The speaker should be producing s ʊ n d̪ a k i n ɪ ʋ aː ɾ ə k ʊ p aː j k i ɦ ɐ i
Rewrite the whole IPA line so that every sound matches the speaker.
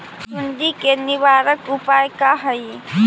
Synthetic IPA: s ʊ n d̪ i k e n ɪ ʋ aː ɾ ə k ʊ p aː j k a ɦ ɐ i